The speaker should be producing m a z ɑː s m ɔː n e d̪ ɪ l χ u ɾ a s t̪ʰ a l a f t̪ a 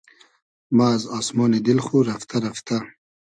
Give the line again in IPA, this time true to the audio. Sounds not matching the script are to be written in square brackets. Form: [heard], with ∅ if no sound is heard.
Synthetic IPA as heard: m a z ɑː s m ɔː n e d̪ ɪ l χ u ɾ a [f] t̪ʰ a [ɾ] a f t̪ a